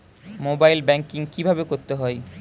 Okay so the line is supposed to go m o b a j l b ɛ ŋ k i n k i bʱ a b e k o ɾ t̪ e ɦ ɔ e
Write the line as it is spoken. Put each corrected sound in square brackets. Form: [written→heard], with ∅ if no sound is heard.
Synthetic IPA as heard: m o b a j l b ɛ ŋ k i [n→ŋ] k i bʱ a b e k o ɾ t̪ e ɦ ɔ e